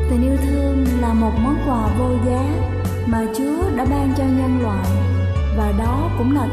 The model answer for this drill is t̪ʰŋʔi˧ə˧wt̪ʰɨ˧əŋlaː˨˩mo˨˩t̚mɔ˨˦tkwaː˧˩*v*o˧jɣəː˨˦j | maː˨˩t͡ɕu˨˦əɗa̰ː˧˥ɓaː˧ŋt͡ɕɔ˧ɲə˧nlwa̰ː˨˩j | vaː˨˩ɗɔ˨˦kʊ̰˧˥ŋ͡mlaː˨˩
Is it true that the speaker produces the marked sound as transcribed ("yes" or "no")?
yes